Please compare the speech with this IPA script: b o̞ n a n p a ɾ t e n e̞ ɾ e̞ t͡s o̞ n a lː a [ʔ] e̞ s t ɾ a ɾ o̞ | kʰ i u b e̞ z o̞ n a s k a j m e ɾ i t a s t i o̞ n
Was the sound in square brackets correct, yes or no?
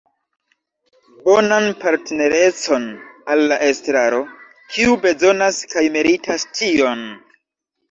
yes